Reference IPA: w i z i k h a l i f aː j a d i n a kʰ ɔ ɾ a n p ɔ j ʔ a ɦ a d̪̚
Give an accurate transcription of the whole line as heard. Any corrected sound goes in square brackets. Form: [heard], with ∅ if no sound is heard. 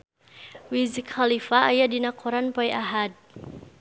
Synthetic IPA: w i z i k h a l i f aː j a d i n a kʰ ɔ ɾ a n p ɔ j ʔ a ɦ a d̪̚